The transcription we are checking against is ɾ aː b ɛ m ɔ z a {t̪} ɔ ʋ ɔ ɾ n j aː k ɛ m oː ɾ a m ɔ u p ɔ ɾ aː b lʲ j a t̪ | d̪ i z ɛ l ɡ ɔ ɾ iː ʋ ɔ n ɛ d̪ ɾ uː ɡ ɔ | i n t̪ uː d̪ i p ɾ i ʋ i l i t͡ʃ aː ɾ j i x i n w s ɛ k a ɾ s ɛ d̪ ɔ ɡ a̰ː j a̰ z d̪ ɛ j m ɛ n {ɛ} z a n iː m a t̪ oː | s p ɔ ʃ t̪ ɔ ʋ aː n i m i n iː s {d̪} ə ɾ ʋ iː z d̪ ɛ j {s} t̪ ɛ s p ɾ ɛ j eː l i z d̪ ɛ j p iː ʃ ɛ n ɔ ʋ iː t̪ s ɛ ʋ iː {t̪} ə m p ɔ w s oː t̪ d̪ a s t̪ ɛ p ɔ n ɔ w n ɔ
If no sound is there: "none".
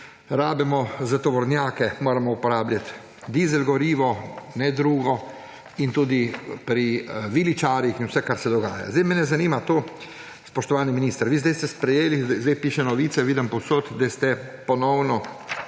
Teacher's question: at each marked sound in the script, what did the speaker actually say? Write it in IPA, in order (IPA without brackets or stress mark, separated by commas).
t̪, ɛ, t̪, s, d̪